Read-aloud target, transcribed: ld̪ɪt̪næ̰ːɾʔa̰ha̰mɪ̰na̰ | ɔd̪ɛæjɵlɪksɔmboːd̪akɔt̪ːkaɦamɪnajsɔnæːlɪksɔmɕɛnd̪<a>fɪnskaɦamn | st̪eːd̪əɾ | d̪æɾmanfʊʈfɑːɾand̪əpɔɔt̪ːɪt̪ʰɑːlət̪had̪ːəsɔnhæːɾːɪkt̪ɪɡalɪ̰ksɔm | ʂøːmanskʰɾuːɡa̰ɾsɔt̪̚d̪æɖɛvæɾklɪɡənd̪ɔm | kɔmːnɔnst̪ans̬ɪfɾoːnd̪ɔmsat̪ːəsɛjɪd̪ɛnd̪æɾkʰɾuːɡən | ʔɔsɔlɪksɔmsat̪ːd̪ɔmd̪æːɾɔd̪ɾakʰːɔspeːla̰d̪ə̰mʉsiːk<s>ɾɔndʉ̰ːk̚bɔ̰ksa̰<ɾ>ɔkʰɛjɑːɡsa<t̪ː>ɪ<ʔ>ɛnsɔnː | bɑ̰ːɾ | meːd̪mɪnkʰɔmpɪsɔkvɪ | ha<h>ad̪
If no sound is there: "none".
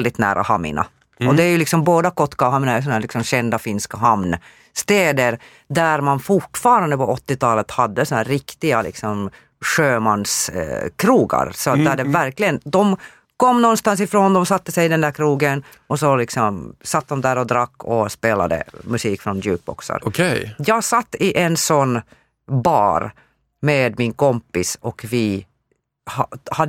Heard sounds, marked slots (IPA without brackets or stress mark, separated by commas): a, f, ɾ, t̪ː, ʔ, h